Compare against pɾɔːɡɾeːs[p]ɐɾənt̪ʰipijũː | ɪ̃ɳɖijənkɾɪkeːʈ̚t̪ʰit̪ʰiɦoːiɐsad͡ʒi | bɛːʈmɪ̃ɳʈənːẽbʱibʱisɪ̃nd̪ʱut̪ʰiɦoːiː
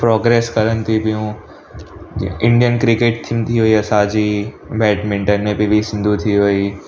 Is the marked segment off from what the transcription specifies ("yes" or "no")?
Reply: yes